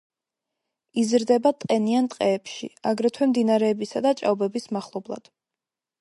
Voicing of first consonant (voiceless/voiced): voiced